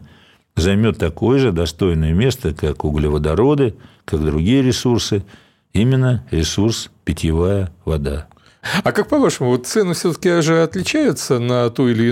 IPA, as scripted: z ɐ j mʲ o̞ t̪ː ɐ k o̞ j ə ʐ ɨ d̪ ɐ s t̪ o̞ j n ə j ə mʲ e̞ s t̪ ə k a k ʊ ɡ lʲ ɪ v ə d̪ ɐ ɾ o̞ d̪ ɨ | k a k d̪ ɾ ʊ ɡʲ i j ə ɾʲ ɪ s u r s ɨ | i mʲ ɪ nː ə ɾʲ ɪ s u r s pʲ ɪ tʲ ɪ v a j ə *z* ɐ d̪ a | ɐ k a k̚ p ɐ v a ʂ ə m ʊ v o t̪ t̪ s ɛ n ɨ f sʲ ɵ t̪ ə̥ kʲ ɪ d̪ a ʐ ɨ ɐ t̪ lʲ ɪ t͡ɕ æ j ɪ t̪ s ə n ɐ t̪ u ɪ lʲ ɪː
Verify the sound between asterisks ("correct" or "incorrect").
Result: incorrect